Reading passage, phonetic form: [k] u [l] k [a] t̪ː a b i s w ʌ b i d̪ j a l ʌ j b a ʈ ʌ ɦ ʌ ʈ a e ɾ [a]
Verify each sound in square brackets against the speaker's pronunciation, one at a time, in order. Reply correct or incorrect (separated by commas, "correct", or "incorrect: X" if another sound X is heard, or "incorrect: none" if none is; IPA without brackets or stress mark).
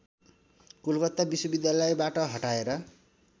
correct, correct, incorrect: ʌ, incorrect: ʌ